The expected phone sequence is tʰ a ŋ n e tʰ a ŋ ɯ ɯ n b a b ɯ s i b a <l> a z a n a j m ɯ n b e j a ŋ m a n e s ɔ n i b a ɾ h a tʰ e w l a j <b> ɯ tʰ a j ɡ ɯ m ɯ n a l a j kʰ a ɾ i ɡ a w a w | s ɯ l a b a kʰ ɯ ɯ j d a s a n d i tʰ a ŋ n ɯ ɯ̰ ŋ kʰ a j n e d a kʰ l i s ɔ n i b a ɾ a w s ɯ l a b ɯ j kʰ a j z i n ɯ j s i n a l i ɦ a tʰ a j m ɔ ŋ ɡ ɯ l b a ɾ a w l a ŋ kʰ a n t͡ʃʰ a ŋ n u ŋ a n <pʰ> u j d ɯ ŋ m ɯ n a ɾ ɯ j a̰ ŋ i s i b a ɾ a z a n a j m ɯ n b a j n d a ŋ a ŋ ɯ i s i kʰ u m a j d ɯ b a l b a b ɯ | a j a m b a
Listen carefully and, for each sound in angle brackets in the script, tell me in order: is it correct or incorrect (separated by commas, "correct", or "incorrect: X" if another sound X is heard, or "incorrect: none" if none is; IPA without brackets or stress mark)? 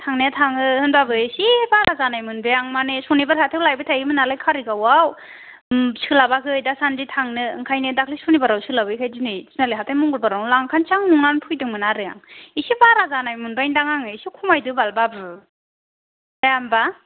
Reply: incorrect: ɾ, correct, correct